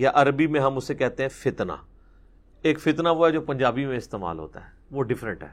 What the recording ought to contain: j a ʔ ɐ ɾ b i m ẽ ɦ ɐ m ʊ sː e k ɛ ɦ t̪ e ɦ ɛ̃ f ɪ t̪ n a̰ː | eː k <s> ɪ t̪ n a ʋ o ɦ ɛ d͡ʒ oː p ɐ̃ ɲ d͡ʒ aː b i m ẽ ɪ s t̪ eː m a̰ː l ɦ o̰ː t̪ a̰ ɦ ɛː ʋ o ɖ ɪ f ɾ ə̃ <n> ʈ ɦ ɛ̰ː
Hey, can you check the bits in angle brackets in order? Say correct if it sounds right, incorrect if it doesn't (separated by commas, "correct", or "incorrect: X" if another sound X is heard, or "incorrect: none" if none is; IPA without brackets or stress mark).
incorrect: f, incorrect: ɳ